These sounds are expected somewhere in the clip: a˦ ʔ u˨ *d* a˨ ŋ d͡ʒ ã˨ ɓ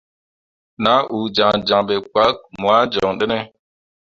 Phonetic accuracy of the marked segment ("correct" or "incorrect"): incorrect